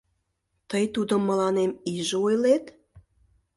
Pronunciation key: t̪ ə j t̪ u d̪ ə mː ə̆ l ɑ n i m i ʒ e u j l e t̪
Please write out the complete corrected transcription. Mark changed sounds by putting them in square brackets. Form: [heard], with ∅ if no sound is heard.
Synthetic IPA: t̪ ə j t̪ u d̪ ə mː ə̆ l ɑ n [e] m i ʒ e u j l e t̪